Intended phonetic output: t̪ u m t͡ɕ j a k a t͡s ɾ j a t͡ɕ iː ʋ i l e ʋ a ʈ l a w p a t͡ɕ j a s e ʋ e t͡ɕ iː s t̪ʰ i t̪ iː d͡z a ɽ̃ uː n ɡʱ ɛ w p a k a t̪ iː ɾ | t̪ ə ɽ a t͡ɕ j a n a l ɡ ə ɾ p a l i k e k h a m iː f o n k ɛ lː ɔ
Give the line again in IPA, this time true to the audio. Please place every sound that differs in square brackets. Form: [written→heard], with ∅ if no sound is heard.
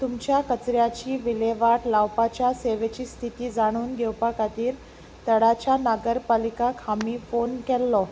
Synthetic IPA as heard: t̪ u m t͡ɕ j a k [a→ə] t͡s ɾ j a t͡ɕ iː ʋ i l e ʋ a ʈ l a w p a t͡ɕ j a s e ʋ e t͡ɕ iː s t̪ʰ i t̪ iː d͡z a ɽ̃ uː n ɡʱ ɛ w p a k a t̪ iː ɾ | t̪ ə ɽ a t͡ɕ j a n a [l→∅] ɡ ə ɾ p a l i k [e→a] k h a m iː f o n k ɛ lː ɔ